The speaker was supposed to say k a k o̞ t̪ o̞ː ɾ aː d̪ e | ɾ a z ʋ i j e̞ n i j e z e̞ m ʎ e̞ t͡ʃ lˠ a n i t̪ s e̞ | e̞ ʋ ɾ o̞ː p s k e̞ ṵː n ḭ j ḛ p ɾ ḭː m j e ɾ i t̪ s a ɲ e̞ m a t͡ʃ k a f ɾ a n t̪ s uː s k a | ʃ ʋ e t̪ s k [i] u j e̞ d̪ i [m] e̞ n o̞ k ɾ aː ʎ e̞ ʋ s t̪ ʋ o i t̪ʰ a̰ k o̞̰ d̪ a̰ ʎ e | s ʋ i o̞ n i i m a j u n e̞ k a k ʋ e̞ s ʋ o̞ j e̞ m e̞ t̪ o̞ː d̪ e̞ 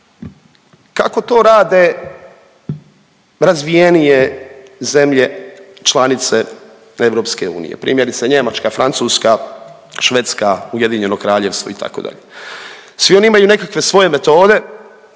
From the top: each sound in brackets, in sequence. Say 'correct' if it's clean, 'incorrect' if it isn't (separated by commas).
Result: incorrect, incorrect